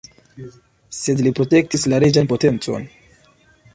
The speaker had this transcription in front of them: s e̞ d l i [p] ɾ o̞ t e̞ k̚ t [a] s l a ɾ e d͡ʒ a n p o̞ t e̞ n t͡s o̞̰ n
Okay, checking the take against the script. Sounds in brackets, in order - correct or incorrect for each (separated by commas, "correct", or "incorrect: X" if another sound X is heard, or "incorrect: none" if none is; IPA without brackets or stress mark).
correct, incorrect: i